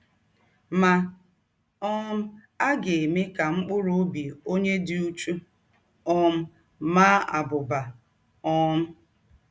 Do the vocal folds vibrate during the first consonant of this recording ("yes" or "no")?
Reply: yes